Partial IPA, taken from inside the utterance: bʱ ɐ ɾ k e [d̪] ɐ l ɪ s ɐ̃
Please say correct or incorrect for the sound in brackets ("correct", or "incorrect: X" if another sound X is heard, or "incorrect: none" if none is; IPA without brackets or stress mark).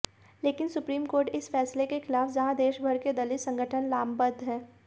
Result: correct